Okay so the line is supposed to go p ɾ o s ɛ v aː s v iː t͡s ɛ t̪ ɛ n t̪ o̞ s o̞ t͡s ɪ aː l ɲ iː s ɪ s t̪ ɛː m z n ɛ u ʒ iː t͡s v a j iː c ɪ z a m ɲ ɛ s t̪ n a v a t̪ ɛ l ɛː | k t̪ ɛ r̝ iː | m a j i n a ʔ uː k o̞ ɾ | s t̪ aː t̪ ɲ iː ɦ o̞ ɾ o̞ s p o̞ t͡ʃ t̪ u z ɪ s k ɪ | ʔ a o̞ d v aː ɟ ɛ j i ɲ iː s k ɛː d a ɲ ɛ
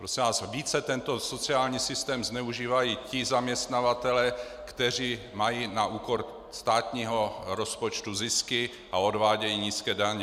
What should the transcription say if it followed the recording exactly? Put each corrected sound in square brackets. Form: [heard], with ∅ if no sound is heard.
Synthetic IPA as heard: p ɾ o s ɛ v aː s v iː t͡s ɛ t̪ ɛ n t̪ o̞ s o̞ t͡s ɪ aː l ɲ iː s ɪ s t̪ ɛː m z n ɛ u ʒ iː [∅] v a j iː c ɪ z a m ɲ ɛ s t̪ n a v a t̪ ɛ l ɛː | k t̪ ɛ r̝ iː | m a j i n a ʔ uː k o̞ ɾ | s t̪ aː t̪ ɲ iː ɦ o̞ ɾ o̞ s p o̞ t͡ʃ t̪ u z ɪ s k ɪ | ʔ a o̞ d v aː ɟ ɛ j i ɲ iː s k ɛː d a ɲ ɛ